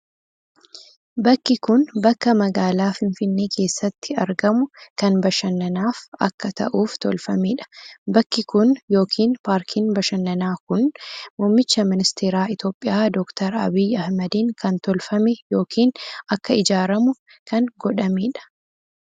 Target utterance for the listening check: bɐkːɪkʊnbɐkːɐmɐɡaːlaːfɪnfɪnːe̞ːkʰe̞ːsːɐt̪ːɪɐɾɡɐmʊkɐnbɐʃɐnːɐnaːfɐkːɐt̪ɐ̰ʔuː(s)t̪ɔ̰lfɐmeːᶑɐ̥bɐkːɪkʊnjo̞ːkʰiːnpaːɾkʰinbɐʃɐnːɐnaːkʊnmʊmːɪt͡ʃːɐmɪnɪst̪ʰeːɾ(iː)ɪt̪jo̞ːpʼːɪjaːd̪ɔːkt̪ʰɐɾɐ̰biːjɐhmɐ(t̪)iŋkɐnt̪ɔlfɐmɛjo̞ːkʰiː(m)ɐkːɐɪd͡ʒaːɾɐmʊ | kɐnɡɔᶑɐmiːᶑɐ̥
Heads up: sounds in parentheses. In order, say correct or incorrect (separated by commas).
incorrect, incorrect, incorrect, incorrect